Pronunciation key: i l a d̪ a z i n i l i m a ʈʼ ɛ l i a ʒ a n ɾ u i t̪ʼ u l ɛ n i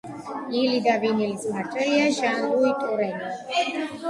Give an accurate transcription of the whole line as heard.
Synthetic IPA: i l i d̪ a v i n i l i m a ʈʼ ɛ l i a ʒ a n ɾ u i t̪ʼ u ɾ ɛ n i